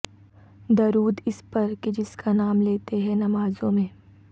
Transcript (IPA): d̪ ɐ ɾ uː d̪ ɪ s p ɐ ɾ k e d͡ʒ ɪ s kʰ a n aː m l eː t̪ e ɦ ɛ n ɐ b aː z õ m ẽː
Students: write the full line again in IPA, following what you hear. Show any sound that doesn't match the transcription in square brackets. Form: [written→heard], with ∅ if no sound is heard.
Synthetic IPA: d̪ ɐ ɾ uː d̪ ɪ s p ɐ ɾ k e d͡ʒ ɪ s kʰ a n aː m l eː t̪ e ɦ ɛ n ɐ [b→m] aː z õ m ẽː